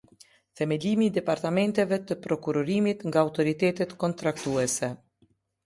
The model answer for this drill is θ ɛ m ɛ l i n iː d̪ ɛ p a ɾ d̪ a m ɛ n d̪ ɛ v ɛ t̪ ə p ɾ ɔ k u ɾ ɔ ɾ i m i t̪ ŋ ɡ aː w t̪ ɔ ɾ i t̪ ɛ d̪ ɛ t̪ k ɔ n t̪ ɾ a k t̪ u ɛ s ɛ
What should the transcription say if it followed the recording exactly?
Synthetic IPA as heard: θ ɛ m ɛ l i m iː d̪ ɛ p a ɾ t̪ a m ɛ n t̪ ɛ v ɛ t̪ ə p ɾ ɔ k u ɾ ɔ ɾ i m i t̪ ŋ ɡ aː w t̪ ɔ ɾ i t̪ ɛ t̪ ɛ t̪ k ɔ n t̪ ɾ a k t̪ u ɛ s ɛ

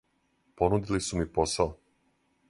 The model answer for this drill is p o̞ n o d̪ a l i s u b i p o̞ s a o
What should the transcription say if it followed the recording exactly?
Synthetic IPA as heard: p o̞ n u d̪ i l i s u m i p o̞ s a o

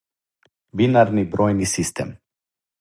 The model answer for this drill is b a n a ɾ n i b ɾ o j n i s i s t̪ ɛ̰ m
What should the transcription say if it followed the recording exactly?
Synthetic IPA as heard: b i n a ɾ n i b ɾ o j n i s i s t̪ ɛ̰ m

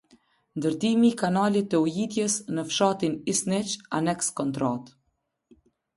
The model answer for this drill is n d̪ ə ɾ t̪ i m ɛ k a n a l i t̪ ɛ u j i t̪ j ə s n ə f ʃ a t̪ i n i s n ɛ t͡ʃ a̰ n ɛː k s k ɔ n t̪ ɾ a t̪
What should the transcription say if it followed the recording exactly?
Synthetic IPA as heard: n d̪ ə ɾ t̪ i m i k a n a l i t̪ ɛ u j i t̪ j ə s n ə f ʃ a t̪ i n i s n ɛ t͡ʃ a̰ n ɛ k s k ɔ n t̪ ɾ a t̪

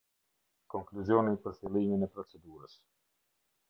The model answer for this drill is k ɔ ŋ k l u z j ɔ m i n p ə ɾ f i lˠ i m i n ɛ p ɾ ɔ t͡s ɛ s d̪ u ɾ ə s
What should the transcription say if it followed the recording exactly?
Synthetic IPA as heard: k ɔ ŋ k l u z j ɔ n i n p ə ɾ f i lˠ i m i n ɛ p ɾ ɔ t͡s ɛ d̪ u ɾ ə s

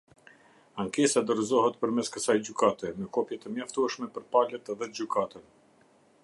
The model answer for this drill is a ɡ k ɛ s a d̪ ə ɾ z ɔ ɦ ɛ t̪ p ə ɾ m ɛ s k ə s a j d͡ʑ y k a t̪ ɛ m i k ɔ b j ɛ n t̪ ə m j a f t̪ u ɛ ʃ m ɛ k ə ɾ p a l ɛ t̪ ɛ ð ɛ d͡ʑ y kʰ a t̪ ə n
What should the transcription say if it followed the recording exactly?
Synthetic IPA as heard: a ŋ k ɛ s a d̪ ə ɾ z ɔ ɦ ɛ t̪ p ə ɾ m ɛ s k ə s a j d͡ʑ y k a t̪ ɛ m ɛ k ɔ p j ɛ t̪ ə m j a f t̪ u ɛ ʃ m ɛ p ə ɾ p a l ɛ t̪ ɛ ð ɛ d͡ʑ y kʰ a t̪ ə n

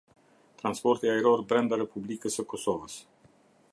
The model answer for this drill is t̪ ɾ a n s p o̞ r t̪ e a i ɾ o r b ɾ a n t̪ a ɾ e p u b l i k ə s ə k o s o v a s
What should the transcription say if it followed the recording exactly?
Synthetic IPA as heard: t̪ ɾ a n s p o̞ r t̪ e a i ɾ o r b ɾ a n d̪ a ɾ e p u b l i k ə s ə k o s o v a s

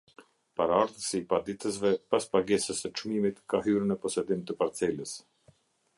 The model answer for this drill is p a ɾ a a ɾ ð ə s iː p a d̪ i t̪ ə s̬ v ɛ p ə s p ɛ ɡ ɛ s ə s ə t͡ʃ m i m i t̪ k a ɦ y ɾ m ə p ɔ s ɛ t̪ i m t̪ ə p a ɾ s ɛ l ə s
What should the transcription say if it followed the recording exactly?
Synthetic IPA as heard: p a ɾ a a ɾ ð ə s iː p a d̪ i t̪ ə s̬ v ɛ p a s p a ɡ ɛ s ə s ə t͡ʃ m i m i t̪ k a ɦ y ɾ n ə p ɔ s ɛ d̪ i m t̪ ə p a ɾ t͡s ɛ l ə s

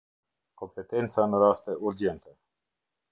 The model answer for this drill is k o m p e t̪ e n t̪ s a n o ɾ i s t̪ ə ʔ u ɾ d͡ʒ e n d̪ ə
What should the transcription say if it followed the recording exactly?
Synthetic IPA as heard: k o m p e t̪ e n t̪ s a n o ɾ a s t̪ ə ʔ u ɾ d͡ʒ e n t̪ ə

